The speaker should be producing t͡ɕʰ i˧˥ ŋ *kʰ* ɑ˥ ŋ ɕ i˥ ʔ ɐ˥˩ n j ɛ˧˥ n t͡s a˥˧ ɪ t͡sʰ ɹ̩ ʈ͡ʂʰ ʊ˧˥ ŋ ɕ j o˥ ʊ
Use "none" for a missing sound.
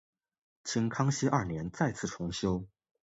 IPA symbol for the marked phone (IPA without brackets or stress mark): kʰ